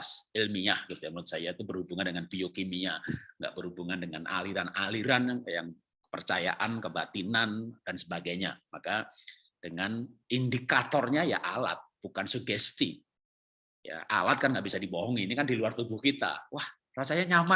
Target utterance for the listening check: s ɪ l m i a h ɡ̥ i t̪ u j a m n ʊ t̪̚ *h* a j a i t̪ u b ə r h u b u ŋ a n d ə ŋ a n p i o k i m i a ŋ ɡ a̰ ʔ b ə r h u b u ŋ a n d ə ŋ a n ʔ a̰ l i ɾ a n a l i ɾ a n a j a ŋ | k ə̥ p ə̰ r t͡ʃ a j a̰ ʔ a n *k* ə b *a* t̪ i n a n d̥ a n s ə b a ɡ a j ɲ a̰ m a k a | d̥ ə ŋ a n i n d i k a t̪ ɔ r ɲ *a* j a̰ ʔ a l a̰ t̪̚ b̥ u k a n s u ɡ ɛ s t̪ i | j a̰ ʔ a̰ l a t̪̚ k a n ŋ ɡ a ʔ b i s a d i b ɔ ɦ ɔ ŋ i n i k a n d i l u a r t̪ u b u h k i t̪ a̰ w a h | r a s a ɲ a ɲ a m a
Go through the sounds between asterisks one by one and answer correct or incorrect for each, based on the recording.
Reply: incorrect: s, correct, correct, correct

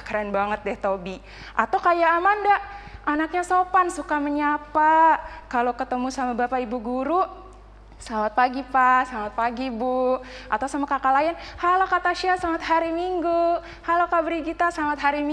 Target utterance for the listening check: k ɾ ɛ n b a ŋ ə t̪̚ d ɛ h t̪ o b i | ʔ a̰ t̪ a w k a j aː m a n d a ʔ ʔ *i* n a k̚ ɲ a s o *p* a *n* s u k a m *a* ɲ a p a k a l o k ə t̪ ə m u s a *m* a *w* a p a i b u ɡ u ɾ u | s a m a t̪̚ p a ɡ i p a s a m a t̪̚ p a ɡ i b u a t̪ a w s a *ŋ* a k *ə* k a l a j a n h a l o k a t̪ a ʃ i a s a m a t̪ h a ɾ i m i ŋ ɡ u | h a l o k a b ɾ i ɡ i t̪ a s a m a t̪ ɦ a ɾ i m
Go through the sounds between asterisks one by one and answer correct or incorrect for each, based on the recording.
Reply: incorrect: a, correct, correct, incorrect: ə, correct, incorrect: b, incorrect: m, incorrect: a

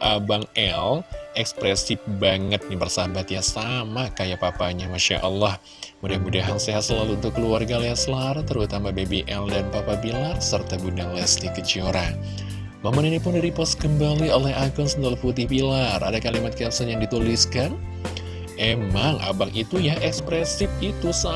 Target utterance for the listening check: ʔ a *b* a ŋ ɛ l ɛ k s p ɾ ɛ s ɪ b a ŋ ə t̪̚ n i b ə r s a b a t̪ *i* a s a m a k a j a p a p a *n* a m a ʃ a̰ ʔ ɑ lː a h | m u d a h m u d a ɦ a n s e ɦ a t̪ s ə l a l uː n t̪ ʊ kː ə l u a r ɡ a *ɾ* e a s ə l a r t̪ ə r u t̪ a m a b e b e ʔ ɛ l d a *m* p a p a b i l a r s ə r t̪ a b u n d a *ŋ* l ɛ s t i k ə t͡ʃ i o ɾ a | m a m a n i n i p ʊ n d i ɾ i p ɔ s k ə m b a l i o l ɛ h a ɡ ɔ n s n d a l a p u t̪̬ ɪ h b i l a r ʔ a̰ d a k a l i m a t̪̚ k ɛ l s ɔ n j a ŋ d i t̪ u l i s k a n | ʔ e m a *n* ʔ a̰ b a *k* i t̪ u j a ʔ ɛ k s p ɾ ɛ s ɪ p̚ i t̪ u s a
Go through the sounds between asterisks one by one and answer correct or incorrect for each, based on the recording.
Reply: correct, incorrect: j, incorrect: ɲ, incorrect: l, incorrect: n, correct, incorrect: ŋ, correct

